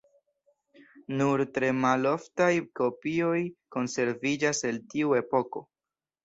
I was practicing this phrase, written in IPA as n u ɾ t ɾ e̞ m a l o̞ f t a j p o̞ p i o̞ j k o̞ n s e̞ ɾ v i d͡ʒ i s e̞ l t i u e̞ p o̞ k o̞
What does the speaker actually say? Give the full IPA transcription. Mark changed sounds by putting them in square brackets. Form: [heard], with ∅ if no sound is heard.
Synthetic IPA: n u ɾ t ɾ e̞ m a l o̞ f t a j [k] o̞ p i o̞ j k o̞ n s e̞ ɾ v i d͡ʒ [a] s e̞ l t i u e̞ p o̞ k o̞